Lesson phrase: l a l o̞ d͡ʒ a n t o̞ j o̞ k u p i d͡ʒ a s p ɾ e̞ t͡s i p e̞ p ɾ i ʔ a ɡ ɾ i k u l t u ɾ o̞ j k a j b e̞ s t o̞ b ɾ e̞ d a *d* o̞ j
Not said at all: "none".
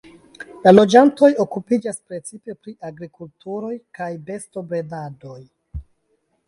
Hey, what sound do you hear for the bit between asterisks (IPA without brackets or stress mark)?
d